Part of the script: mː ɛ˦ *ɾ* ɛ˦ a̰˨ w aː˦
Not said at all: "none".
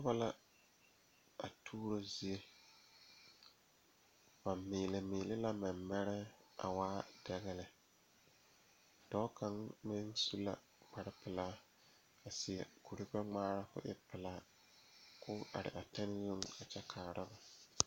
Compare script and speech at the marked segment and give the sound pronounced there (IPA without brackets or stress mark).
ɾ